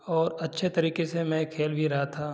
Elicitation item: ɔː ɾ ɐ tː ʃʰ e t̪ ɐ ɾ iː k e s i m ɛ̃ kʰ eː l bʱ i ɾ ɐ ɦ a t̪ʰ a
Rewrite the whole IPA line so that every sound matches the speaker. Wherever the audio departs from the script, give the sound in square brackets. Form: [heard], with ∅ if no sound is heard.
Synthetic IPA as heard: ɔː ɾ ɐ tː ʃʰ e t̪ ɐ ɾ iː k e s [e] m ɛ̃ kʰ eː l bʱ i ɾ ɐ ɦ a t̪ʰ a